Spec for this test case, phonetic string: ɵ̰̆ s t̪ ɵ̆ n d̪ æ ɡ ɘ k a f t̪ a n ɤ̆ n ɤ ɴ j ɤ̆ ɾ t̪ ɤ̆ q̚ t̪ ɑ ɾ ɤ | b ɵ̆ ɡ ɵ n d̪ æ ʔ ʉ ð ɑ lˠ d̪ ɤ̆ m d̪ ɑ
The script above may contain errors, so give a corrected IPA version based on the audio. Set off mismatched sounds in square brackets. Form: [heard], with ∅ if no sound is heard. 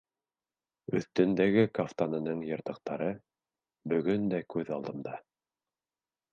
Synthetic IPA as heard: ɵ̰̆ [θ] t̪ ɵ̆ n d̪ æ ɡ ɘ k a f t̪ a n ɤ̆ n ɤ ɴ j ɤ̆ ɾ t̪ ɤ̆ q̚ t̪ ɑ ɾ ɤ | b ɵ̆ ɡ ɵ n d̪ æ [k] ʉ ð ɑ lˠ d̪ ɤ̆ m d̪ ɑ